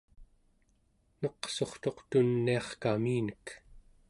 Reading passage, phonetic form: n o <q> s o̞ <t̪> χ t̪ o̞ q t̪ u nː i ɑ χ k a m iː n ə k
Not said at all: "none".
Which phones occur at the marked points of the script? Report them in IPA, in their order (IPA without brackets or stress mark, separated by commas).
q, none